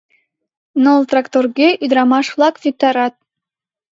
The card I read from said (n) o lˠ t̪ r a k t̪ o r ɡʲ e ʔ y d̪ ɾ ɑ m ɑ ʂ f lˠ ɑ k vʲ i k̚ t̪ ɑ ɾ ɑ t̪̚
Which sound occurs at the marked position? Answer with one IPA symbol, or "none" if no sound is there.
n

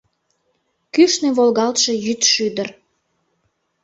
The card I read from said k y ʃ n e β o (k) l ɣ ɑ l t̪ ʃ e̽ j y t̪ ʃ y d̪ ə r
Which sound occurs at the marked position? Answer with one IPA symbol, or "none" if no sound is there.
none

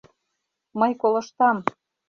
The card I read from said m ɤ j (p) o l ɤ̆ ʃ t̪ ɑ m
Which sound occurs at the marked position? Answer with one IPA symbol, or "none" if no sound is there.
k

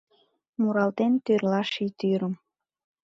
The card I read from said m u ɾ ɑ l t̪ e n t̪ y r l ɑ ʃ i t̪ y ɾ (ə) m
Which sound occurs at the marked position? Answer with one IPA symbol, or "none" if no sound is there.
ə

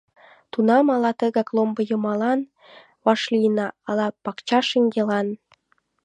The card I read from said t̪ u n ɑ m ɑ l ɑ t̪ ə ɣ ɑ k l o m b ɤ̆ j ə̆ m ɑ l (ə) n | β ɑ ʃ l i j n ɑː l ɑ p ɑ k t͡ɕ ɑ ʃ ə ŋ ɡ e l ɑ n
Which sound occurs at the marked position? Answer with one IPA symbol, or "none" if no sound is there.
ɑ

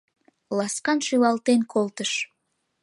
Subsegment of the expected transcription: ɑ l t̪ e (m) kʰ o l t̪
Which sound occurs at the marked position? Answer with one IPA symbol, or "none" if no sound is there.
n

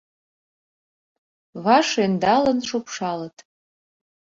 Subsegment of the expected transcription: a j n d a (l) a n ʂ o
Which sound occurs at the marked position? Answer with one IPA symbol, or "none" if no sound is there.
l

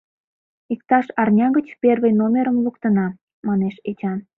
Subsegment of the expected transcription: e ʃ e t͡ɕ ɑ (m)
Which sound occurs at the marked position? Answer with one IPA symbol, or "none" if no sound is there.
n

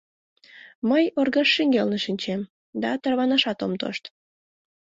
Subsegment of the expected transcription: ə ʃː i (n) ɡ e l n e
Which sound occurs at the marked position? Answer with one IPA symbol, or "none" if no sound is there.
ŋ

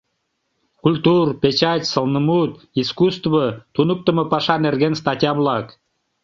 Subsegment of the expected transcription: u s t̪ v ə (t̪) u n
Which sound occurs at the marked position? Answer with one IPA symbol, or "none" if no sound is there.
t̪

